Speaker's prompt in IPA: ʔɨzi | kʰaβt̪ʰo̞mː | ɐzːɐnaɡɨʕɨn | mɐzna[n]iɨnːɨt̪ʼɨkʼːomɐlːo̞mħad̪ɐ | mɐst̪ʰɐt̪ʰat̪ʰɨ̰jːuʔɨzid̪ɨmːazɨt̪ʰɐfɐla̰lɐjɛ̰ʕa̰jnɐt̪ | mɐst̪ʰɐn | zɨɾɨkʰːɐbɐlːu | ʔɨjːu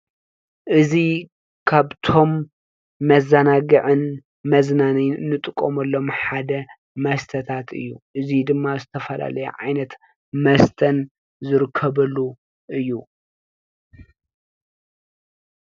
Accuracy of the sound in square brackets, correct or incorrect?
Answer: correct